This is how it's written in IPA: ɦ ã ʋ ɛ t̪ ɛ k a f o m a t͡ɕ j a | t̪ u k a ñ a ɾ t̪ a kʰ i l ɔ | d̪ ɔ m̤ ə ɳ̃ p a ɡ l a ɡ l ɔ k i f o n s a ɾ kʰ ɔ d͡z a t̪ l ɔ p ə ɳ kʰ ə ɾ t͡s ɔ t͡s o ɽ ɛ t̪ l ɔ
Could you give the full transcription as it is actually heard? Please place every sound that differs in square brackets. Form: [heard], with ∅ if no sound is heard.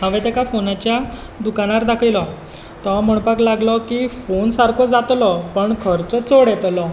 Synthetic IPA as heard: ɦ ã ʋ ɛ t̪ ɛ k a f o [n] a t͡ɕ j a | [d̪] u k a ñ a ɾ [d̪] a kʰ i l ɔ | [t̪] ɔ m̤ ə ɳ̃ p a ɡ l a ɡ l ɔ k i f o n s a ɾ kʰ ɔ d͡z a t̪ l ɔ p ə ɳ kʰ ə ɾ t͡s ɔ t͡s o ɽ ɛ t̪ l ɔ